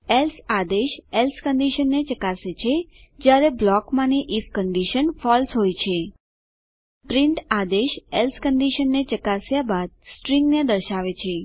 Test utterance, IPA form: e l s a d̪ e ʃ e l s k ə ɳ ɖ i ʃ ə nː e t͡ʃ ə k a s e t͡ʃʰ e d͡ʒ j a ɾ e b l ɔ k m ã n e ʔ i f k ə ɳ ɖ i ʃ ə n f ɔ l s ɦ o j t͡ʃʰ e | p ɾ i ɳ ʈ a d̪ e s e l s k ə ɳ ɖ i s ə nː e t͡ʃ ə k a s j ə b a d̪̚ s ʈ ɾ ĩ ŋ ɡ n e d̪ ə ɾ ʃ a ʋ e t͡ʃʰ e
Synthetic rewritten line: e l s a d̪ e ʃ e l s k ə ɳ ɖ i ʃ ə nː e t͡ʃ ə k a s e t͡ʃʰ e d͡ʒ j a ɾ e b l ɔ k m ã n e ʔ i f k ə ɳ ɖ i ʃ ə n f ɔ l s ɦ o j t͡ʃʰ e | p ɾ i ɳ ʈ a d̪ e ʃ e l s k ə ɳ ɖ i ʃ ə nː e t͡ʃ ə k a s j a b a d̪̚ s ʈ ɾ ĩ ŋ ɡ n e d̪ ə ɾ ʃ a ʋ e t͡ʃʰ e